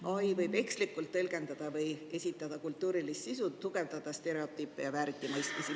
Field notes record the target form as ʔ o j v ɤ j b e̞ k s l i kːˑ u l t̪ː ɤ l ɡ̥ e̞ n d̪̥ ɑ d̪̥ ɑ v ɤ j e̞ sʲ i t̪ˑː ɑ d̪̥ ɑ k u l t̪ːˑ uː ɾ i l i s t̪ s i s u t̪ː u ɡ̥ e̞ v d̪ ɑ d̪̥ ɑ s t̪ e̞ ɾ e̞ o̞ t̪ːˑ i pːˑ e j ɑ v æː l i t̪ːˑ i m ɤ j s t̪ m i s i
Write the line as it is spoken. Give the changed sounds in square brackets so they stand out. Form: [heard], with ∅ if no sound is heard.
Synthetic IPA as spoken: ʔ o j v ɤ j b e̞ k s l i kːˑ u l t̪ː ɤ l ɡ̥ e̞ n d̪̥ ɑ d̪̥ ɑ v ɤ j e̞ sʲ i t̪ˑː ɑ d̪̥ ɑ k u l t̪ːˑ uː ɾ i l i s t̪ s i s u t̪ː u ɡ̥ e̞ v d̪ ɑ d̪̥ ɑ s t̪ e̞ ɾ e̞ o̞ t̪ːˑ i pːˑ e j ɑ v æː [ɾ] i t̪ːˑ i m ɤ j s t̪ m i s i